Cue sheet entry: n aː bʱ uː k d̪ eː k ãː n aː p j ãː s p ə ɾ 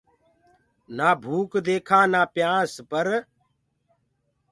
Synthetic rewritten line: n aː bʱ uː k d̪ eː kʰ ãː n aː p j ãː s p ə ɾ